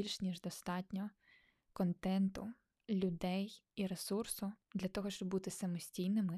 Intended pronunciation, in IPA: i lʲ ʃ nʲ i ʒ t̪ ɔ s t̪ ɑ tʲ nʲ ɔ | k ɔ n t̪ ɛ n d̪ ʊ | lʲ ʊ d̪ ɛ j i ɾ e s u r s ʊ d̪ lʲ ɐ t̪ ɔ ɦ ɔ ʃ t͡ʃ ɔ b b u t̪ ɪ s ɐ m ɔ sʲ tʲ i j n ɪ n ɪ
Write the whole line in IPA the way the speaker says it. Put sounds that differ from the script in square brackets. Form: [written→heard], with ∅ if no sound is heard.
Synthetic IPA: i lʲ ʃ nʲ i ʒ [t̪→d̪] ɔ s t̪ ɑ tʲ nʲ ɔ | k ɔ n t̪ ɛ n [d̪→t̪] ʊ | lʲ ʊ d̪ ɛ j i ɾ e s u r s ʊ d̪ lʲ ɐ t̪ ɔ ɦ ɔ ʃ t͡ʃ ɔ b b u t̪ ɪ s ɐ m ɔ sʲ tʲ i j n ɪ [n→m] ɪ